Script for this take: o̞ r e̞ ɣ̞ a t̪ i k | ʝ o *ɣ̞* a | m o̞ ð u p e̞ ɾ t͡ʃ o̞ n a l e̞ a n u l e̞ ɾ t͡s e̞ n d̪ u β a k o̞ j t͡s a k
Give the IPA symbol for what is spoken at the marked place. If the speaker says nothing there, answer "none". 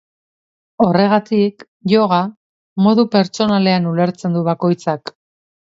ɣ̞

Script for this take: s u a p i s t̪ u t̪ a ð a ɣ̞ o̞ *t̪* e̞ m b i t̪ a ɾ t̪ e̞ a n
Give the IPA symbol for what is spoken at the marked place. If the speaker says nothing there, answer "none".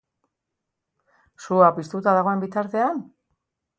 none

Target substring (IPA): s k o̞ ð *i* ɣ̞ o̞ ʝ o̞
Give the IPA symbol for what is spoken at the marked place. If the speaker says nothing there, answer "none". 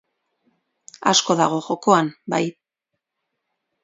a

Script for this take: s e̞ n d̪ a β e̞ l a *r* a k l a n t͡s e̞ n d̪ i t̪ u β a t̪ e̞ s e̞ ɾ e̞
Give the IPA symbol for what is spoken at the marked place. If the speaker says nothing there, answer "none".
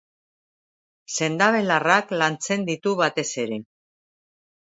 r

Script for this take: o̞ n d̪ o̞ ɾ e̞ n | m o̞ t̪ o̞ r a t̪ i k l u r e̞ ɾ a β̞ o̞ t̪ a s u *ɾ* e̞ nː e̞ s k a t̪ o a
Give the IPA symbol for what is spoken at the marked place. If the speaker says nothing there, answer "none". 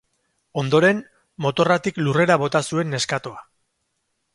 none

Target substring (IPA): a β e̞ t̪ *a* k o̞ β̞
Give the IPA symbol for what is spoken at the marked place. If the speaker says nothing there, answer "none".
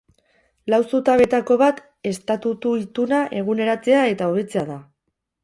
a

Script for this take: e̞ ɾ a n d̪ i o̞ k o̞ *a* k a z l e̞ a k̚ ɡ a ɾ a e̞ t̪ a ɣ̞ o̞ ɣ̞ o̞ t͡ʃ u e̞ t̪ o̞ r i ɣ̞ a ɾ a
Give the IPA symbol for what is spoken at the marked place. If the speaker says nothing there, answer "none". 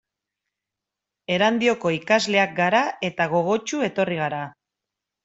i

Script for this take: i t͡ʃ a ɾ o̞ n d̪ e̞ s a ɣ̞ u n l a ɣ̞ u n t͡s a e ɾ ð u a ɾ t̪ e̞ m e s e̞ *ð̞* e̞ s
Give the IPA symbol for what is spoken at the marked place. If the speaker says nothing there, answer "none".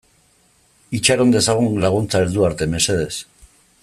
ð̞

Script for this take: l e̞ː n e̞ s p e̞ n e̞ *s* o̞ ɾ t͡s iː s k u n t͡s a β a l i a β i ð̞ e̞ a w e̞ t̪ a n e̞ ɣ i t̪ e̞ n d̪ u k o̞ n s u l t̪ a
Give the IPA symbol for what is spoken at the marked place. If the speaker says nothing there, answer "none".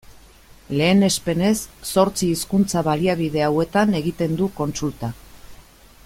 sː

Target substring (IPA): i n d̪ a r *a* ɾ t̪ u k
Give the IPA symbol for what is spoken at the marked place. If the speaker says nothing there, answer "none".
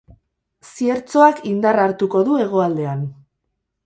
a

